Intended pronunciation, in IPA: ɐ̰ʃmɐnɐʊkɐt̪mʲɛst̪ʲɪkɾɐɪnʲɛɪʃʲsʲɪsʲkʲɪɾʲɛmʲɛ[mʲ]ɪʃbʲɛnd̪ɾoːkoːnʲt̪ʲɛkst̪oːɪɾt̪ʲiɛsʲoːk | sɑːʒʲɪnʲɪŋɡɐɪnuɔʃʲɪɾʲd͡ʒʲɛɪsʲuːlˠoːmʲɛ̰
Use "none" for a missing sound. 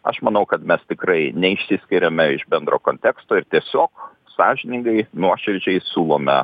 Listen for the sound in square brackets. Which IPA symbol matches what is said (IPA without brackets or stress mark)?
none